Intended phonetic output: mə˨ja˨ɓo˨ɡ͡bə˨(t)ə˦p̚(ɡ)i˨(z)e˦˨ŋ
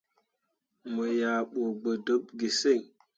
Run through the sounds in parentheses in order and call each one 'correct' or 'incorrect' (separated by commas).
incorrect, correct, incorrect